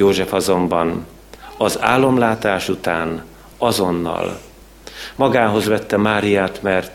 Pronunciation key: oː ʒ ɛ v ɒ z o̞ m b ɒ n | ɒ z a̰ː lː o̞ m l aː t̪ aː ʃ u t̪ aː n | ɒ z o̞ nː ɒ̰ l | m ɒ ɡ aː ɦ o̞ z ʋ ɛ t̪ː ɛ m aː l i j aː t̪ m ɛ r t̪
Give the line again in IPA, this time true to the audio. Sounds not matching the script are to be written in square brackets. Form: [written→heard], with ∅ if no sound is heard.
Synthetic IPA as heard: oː ʒ ɛ [v→f] ɒ z o̞ m b ɒ n | ɒ z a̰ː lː o̞ m l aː t̪ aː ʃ u t̪ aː n | ɒ z o̞ nː ɒ̰ l | m ɒ ɡ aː ɦ o̞ z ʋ ɛ t̪ː ɛ m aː [l→ɾ] i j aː t̪ m ɛ r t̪